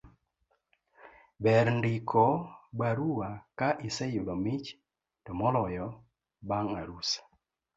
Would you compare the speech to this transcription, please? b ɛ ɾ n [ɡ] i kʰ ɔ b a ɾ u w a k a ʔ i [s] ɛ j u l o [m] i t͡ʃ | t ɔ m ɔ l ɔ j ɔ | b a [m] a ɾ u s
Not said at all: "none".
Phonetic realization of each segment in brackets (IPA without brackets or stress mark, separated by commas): d, s, m, ŋ